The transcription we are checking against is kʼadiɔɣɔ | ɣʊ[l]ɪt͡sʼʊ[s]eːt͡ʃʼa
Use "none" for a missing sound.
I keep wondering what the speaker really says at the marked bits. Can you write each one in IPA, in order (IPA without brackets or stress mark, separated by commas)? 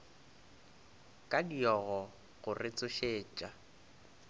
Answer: r, ʃ